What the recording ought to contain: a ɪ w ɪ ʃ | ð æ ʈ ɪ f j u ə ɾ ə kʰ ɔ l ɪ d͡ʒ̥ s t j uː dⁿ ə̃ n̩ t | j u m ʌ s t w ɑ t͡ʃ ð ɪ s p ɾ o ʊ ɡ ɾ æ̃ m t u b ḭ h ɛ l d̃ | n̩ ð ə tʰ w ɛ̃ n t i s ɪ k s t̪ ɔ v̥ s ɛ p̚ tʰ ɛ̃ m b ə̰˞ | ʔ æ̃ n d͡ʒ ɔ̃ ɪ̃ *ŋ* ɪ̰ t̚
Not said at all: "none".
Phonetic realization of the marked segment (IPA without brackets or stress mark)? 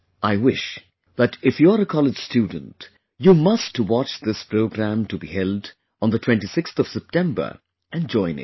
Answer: n